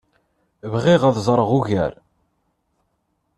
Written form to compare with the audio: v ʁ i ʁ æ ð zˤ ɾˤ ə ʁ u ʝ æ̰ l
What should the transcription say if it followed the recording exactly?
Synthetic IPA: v ʁ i ʁ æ ð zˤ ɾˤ ə ʁ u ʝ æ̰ ɾ

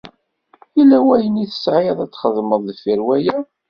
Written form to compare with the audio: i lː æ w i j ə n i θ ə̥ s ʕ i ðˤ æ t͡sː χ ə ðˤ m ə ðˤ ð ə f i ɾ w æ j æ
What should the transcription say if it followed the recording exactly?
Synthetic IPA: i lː æ w æ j ə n i θ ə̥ s ʕ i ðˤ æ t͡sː χ ə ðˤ m ə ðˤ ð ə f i ɾ w æ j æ

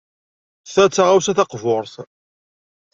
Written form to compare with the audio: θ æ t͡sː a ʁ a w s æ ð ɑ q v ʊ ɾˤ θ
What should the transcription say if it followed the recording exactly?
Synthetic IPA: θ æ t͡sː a ʁ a w s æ θ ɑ q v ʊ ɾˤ θ

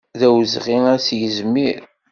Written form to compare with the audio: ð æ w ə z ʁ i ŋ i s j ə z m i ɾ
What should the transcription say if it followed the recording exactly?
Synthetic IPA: ð æ w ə z ʁ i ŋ æ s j ə z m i ɾ

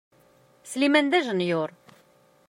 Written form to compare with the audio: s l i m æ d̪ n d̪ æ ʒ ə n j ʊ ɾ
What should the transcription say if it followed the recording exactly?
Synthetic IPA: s l i m æ n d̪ æ ʒ ə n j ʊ ɾ

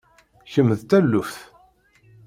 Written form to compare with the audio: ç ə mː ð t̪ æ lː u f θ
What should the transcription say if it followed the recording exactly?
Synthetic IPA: ç ə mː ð t̪ æ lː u f θ

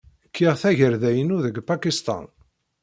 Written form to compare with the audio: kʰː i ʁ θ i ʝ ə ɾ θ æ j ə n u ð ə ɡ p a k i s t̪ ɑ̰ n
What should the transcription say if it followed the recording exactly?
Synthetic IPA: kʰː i ʁ θ æ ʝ ə ɾ ð æ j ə n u ð ə ɡ p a k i s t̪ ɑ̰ n

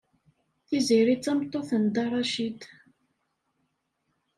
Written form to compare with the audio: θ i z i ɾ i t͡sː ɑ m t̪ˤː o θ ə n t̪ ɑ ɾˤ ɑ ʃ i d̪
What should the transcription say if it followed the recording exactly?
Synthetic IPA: θ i z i ɾ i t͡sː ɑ m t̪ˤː o θ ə n d̪ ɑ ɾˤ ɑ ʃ i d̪

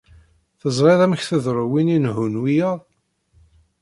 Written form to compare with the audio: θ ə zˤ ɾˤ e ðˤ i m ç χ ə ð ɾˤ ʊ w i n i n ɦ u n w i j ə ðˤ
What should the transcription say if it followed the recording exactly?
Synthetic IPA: θ ə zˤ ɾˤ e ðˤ æ m ç θ ə ð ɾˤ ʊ w i n i n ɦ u n w i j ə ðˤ

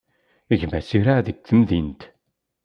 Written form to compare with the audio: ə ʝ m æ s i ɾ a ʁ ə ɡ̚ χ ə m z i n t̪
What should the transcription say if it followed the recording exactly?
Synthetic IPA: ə ʝ m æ s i ɾ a ð ə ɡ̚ θ ə m ð i n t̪

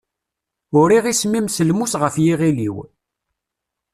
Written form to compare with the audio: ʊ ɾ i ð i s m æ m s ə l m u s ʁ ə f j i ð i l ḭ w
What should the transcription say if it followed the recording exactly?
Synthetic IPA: ʊ ɾ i ʁ i s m i m s ə l m u s ʁ ə f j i ʁ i l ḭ w

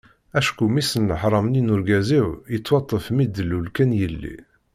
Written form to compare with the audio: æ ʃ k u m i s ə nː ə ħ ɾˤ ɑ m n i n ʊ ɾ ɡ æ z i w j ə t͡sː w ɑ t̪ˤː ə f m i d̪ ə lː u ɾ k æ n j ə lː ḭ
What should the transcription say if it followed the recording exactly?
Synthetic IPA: æ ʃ k u m i s ə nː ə ħ ɾˤ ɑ m n i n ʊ ɾ ɡ æ z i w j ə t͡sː w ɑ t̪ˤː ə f m i d̪ ə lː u l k æ n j ə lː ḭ

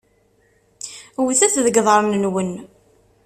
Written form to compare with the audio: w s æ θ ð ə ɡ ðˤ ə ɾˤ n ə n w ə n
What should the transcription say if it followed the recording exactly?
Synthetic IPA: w θ æ θ ð ə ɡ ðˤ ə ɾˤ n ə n w ə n

